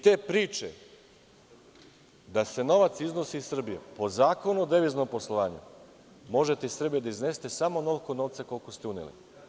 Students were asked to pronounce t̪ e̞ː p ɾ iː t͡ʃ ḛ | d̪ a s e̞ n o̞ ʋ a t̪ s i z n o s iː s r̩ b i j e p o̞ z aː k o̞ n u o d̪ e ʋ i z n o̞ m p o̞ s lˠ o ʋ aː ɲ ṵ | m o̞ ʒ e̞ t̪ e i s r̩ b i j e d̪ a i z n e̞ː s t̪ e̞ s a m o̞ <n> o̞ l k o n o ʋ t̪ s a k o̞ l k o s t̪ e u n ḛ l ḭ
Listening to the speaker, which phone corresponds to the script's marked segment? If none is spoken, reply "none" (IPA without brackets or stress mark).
n